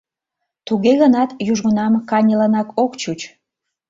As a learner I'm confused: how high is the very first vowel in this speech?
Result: high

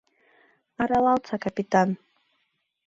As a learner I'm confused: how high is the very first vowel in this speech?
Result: low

